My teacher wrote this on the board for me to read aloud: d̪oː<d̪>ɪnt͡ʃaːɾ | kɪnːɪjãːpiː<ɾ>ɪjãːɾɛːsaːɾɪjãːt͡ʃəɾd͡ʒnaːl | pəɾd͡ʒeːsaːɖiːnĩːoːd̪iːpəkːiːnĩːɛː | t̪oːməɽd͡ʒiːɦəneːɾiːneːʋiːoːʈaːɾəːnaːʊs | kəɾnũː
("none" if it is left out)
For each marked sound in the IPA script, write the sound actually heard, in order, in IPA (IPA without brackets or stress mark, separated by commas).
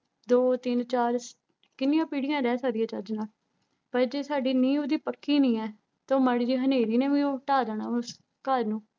t̪, ɽ